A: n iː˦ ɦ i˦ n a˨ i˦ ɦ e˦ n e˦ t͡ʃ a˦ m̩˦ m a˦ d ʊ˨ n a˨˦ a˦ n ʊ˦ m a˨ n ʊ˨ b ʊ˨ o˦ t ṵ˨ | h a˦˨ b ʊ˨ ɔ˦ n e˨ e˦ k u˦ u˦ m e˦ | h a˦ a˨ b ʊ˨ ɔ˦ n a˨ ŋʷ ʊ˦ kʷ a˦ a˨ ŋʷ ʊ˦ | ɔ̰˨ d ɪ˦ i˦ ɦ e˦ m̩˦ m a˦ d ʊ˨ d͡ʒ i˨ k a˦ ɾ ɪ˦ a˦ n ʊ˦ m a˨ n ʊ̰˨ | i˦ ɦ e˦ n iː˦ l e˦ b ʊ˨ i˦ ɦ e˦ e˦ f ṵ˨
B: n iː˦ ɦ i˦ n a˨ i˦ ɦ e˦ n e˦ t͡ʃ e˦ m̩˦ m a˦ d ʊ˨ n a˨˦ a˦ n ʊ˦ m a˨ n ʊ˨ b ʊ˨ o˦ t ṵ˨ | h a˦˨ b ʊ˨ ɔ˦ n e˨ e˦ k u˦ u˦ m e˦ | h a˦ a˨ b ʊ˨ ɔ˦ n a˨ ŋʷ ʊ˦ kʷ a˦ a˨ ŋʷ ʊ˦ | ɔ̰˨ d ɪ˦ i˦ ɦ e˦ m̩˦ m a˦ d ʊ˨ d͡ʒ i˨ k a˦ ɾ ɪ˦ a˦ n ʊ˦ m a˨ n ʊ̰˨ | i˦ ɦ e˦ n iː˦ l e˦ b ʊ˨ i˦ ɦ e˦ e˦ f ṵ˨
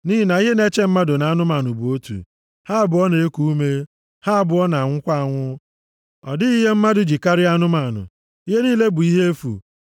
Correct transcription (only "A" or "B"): B